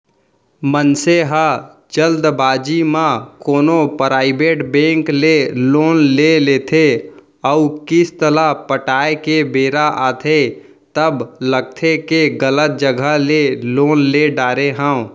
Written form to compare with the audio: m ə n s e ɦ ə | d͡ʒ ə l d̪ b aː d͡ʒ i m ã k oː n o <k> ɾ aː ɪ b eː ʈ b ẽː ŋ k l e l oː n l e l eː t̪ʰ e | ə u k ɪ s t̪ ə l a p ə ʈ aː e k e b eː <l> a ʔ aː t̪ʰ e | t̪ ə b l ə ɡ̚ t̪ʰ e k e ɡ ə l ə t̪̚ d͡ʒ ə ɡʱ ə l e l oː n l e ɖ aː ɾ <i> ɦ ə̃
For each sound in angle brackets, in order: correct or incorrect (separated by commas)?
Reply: incorrect, incorrect, incorrect